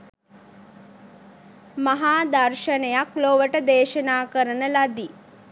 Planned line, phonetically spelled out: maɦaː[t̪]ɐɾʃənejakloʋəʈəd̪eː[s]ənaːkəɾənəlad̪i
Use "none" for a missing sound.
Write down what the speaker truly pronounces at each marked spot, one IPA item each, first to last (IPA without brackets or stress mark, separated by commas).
d̪, ʃ